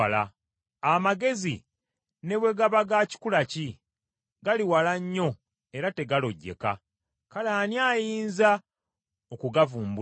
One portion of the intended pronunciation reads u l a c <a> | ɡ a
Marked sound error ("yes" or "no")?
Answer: yes